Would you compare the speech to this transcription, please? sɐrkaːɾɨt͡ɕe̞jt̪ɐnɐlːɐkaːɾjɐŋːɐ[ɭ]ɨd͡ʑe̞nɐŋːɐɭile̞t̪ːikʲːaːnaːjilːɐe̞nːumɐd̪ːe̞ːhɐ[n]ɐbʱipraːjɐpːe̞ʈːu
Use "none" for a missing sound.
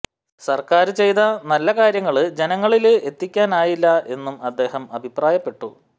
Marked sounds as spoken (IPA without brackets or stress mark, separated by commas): ɭ, m